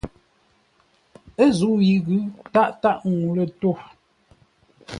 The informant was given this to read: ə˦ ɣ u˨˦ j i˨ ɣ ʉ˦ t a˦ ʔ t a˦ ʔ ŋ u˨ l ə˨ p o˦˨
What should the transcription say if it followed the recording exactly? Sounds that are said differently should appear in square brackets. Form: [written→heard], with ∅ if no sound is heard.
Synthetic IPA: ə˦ [ɣ→z] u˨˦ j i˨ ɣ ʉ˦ t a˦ ʔ t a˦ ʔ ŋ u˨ l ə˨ [p→t] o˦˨